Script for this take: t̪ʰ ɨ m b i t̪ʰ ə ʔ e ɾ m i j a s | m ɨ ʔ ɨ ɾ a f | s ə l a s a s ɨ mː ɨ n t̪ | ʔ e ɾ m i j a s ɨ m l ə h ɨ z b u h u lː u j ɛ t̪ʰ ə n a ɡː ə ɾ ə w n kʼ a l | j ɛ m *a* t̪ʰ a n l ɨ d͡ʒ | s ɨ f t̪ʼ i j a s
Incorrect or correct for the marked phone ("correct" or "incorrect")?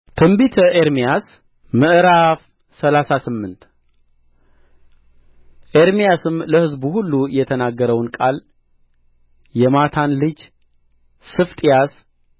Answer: correct